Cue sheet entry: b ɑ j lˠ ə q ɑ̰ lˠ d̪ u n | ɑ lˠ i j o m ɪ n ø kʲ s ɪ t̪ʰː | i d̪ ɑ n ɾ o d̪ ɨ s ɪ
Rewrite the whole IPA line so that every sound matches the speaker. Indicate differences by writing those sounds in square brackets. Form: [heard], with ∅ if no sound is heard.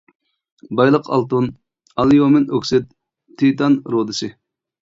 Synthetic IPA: b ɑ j lˠ ə q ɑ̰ lˠ [t̪] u n | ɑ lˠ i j o m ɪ n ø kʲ s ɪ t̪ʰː | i [t̪] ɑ n ɾ o d̪ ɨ s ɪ